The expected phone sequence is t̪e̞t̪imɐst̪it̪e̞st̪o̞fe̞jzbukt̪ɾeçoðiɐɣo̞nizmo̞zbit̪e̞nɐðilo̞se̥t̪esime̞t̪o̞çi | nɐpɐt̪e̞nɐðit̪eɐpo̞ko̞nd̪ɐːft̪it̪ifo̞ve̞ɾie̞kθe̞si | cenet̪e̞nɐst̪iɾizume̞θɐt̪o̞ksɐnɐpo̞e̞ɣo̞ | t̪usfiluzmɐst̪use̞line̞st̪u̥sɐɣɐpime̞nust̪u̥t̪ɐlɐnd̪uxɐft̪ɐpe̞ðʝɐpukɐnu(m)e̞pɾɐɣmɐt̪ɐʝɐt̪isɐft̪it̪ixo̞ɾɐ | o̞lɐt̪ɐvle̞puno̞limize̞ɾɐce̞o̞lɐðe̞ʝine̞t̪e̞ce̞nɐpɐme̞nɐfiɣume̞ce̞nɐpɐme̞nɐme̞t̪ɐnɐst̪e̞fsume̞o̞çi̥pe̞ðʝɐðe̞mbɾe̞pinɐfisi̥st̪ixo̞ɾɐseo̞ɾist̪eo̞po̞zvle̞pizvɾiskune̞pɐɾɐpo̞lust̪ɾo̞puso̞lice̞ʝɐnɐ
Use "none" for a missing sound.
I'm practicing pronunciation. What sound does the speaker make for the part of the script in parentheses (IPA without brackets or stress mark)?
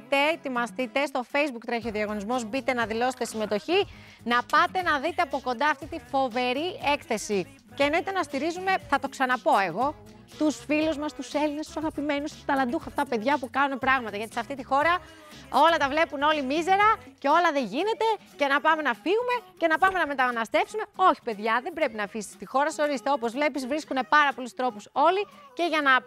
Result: n